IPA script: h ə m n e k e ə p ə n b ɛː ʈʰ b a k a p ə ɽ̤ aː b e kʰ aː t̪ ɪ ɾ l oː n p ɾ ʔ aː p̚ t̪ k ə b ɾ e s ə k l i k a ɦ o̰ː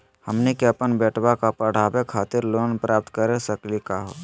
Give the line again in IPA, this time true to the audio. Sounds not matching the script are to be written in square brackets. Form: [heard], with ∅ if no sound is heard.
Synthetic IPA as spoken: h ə m n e k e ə p ə n b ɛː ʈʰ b a k a p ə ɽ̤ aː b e kʰ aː t̪ ɪ ɾ l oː n p ɾ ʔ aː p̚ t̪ k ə [∅] ɾ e s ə k l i k a ɦ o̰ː